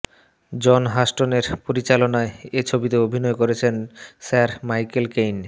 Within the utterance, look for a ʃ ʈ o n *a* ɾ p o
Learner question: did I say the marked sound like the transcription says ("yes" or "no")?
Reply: no